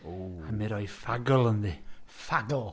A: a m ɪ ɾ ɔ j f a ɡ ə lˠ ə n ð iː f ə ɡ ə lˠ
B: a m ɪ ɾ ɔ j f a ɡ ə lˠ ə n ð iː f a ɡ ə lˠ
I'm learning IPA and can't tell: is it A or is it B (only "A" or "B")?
B